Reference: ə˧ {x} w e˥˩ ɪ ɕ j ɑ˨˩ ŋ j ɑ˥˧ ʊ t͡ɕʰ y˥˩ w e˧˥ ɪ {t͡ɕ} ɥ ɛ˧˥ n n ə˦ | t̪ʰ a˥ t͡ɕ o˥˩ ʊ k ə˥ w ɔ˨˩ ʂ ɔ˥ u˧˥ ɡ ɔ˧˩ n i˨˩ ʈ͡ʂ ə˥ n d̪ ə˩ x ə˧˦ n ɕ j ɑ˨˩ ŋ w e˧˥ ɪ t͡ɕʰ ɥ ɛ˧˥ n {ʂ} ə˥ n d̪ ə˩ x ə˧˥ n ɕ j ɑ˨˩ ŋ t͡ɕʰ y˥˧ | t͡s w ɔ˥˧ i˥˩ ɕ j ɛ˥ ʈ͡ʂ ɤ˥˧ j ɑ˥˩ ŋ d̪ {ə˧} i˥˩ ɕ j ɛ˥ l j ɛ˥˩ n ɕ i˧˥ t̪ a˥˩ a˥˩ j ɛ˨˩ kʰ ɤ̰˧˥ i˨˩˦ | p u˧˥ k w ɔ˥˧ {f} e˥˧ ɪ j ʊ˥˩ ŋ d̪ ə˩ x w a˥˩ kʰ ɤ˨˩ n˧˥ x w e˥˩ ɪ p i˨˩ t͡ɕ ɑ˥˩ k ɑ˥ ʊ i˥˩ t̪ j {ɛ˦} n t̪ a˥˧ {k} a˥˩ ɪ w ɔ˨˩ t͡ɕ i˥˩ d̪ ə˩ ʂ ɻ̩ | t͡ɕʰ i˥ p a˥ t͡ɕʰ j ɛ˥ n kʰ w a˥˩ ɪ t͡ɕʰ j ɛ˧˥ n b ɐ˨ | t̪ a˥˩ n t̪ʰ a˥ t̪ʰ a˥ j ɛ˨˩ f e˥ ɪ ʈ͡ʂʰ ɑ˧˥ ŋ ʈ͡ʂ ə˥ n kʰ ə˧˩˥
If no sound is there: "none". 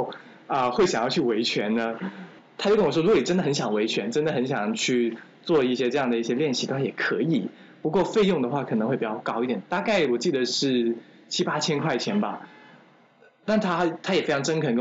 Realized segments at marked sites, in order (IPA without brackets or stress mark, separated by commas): x, t͡ɕʰ, ʈ͡ʂ, ə˩, f, ɛ˨˩˦, k